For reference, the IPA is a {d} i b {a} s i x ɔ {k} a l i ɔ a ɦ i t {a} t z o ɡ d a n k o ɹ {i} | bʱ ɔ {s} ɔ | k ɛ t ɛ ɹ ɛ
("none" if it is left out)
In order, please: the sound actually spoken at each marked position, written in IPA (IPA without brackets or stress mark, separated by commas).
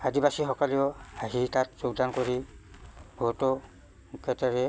d, a, k, a, i, t